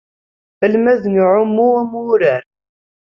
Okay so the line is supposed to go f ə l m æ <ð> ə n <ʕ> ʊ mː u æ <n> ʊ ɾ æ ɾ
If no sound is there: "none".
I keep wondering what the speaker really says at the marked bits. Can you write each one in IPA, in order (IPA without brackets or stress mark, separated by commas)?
ð, ʕ, m